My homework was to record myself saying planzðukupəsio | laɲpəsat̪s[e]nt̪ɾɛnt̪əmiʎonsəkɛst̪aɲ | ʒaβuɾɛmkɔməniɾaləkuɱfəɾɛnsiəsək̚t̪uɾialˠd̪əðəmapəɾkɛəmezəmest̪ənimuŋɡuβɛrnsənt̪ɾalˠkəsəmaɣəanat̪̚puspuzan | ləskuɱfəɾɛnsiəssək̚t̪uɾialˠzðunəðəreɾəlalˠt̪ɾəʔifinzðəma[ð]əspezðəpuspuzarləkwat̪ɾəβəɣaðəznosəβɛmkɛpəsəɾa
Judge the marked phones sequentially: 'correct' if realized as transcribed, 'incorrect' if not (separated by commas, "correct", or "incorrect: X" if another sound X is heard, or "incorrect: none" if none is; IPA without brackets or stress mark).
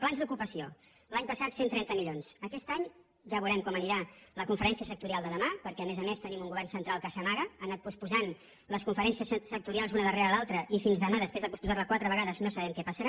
correct, correct